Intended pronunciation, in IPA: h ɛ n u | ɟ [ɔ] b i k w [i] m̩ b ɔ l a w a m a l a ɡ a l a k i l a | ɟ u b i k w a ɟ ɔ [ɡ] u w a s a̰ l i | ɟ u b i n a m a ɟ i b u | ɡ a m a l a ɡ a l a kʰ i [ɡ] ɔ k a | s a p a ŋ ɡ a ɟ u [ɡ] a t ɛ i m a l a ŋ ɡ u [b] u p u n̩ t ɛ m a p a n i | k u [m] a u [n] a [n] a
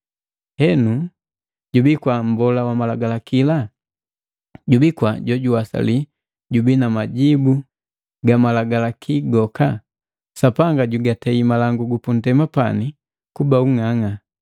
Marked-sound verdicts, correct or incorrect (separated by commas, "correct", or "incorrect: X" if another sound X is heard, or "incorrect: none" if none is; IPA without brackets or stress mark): incorrect: u, incorrect: a, incorrect: ɟ, correct, correct, incorrect: ɡ, incorrect: b, incorrect: ŋ, incorrect: ŋ